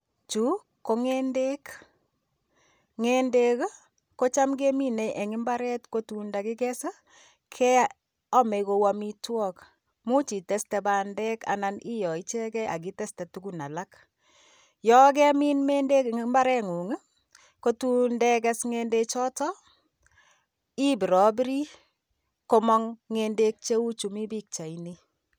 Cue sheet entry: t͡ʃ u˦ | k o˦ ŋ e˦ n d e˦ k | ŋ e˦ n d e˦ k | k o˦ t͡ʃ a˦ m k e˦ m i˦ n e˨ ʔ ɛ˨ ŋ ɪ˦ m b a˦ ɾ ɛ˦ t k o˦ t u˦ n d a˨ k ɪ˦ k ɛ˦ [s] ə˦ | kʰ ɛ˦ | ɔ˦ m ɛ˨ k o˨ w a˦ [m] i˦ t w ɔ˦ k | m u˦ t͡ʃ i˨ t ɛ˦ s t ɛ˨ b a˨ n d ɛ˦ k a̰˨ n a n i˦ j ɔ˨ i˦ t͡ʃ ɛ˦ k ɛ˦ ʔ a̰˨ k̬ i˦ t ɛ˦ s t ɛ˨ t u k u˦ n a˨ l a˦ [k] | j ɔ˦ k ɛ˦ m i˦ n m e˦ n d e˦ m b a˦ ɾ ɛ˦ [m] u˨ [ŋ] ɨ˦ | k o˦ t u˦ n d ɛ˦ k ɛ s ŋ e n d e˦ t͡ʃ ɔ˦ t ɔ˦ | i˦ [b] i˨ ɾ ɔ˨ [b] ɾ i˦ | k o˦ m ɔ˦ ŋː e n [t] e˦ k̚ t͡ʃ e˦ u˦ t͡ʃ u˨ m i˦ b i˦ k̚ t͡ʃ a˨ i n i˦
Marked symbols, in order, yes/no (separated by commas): yes, yes, yes, no, yes, yes, yes, no